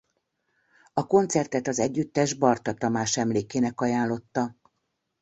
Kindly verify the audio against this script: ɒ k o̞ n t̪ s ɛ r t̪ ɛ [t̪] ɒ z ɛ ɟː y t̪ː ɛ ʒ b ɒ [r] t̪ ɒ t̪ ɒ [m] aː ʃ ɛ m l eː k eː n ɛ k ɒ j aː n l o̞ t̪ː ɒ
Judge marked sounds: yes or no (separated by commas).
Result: yes, yes, yes